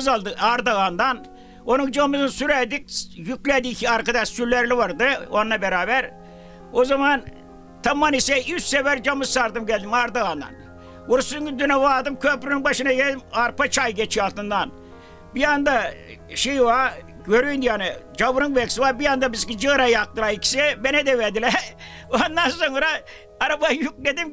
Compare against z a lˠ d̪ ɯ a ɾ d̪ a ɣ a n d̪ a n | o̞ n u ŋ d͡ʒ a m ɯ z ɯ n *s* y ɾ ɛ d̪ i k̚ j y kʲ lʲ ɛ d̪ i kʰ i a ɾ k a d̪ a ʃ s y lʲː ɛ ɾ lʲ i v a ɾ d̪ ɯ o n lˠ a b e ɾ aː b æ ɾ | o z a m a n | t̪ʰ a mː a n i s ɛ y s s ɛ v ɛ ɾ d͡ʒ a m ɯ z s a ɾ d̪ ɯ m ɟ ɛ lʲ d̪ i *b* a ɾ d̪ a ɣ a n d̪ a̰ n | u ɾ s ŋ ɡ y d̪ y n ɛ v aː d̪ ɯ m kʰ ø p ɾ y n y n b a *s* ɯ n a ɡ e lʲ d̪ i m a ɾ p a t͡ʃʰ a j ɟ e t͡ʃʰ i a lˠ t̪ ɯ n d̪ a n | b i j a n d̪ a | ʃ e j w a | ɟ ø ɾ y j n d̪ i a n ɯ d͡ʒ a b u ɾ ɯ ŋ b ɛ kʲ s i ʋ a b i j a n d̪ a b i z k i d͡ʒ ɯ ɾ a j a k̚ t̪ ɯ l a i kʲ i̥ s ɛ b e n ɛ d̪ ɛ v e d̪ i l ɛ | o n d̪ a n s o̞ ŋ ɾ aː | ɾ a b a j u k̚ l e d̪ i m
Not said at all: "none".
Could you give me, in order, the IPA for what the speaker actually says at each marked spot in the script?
s, m, ʃ

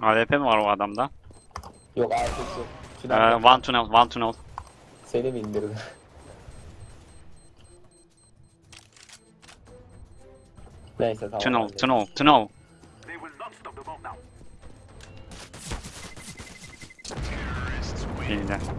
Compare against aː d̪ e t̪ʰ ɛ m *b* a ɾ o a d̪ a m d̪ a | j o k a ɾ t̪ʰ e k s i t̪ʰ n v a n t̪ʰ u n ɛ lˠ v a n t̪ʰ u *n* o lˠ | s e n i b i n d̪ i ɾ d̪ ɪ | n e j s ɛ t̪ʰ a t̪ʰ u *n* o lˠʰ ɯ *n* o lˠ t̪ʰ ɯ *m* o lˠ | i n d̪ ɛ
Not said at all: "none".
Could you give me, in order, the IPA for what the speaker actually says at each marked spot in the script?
v, n, n, n, n

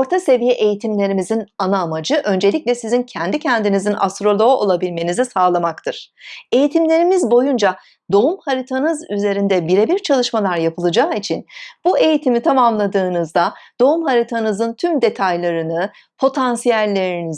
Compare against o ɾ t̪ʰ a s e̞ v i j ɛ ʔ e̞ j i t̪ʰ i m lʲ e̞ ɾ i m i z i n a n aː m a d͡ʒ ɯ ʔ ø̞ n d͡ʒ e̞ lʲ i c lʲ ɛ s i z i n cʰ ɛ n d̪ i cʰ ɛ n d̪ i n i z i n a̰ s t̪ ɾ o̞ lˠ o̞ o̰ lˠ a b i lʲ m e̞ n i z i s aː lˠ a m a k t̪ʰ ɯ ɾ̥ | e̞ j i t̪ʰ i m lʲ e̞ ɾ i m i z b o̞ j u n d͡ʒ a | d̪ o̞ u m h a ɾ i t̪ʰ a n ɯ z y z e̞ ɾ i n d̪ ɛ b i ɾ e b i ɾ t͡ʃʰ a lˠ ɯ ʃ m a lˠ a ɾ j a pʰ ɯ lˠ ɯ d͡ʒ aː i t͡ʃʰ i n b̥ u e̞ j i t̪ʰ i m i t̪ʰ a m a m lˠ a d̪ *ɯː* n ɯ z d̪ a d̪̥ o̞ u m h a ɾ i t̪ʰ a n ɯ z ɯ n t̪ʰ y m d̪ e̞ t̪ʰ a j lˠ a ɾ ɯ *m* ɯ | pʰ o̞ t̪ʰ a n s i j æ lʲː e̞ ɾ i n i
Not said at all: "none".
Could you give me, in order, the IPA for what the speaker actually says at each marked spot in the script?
ɯː, n

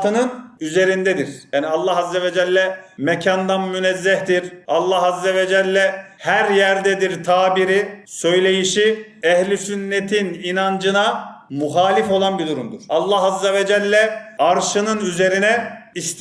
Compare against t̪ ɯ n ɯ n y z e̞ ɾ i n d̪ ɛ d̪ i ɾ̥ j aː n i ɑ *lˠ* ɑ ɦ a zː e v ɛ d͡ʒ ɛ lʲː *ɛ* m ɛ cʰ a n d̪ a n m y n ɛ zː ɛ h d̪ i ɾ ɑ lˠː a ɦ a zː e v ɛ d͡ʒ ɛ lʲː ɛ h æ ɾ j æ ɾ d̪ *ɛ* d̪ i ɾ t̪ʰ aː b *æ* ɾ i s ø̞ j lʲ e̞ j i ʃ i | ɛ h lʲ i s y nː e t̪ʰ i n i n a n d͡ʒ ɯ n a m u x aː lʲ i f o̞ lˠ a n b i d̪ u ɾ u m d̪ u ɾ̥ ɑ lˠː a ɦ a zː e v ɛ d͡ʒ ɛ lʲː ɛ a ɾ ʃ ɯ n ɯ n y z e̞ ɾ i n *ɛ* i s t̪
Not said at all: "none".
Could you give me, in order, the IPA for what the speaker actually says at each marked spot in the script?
lˠː, ɛ, ɛ, i, ɛ

